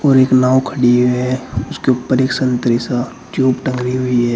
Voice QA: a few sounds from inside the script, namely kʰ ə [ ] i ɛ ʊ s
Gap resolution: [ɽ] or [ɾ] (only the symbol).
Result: ɽ